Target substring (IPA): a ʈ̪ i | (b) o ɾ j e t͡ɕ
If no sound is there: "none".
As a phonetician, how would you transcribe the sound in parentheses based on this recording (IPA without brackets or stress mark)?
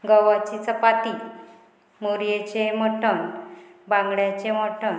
m